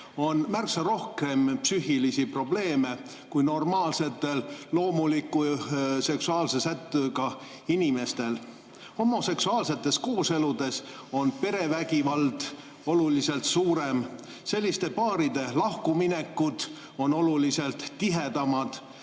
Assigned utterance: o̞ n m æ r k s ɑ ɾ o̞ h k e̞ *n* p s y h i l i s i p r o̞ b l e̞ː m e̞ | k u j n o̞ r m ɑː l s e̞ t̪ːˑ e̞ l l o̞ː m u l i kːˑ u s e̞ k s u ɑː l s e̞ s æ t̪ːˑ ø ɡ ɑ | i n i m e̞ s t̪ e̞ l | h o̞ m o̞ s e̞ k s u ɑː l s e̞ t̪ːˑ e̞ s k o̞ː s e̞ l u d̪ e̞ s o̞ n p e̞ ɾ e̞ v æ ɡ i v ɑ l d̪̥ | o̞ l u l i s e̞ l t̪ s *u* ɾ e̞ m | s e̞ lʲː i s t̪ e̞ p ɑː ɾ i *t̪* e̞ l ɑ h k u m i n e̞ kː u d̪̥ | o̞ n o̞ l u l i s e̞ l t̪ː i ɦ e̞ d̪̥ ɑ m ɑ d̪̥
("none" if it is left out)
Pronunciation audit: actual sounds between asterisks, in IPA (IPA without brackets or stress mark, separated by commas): m, uː, d̪